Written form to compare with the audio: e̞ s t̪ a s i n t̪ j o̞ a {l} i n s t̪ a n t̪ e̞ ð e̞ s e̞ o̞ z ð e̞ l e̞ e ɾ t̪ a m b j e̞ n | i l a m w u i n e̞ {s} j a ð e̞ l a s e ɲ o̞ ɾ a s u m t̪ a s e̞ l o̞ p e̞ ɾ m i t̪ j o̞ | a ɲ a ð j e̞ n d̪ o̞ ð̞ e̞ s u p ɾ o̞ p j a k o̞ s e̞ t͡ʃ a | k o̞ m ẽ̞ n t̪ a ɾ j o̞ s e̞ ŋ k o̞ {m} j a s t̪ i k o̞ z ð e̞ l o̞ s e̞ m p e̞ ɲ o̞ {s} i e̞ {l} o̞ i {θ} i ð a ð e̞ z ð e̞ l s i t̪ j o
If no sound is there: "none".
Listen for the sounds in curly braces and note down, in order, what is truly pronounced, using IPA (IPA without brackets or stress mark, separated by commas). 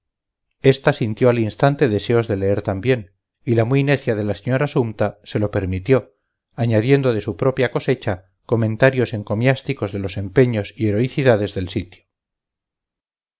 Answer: l, θ, m, s, ɾ, θ